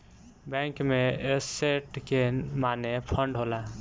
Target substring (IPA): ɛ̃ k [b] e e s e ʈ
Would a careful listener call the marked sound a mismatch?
yes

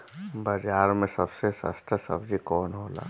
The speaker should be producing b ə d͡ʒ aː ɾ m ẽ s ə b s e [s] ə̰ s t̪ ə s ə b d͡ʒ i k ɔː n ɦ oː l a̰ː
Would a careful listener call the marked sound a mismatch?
no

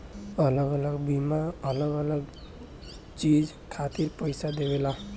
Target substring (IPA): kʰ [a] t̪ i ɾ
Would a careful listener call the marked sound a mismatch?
no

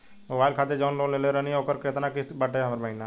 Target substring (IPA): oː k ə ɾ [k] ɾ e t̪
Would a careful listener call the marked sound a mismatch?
no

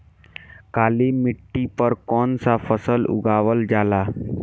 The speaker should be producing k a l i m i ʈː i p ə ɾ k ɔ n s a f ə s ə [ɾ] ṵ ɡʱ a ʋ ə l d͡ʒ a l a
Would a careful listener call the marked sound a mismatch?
yes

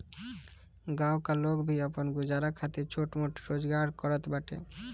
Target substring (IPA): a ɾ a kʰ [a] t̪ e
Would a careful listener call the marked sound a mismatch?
no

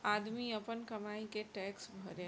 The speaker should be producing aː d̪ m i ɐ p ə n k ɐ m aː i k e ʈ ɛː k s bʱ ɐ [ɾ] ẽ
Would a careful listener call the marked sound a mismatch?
no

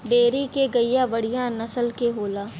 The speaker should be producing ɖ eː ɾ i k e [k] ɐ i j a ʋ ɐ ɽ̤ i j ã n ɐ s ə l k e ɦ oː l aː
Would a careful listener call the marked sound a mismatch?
yes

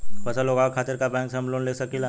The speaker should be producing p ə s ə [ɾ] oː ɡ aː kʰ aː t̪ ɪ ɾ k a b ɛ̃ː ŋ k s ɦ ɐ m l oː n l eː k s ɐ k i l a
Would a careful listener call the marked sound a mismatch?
yes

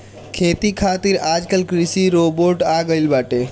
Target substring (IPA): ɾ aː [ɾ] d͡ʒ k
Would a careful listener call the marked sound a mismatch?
yes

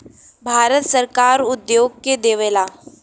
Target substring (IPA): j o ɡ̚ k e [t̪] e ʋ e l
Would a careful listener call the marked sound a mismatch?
yes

